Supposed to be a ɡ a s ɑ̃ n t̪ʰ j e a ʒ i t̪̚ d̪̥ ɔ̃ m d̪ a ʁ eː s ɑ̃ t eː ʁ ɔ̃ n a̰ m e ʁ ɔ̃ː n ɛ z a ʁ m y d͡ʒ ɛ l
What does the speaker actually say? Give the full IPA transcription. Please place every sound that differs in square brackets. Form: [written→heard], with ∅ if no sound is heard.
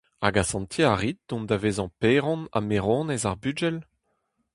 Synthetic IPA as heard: a ɡ a s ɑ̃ n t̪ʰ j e a [ʒ→ʁ] i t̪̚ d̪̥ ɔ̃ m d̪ a [ʁ→v] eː [s→z] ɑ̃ [t→p] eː ʁ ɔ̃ n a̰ m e ʁ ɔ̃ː n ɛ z a ʁ [m→b] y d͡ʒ ɛ l